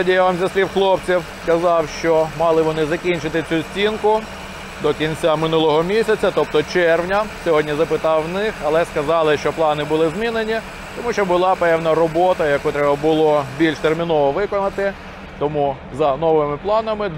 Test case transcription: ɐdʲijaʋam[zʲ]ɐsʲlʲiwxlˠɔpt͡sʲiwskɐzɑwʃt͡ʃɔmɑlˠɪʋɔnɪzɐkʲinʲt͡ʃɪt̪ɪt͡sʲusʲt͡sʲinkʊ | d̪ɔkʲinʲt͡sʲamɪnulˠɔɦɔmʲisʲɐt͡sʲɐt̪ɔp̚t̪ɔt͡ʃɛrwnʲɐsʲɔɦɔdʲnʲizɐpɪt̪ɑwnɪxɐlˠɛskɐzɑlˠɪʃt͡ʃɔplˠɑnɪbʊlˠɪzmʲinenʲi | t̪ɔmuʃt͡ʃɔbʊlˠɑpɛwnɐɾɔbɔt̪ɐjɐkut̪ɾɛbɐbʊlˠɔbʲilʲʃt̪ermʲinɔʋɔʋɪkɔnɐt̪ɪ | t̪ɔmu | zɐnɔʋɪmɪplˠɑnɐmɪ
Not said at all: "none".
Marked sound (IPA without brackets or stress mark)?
zʲ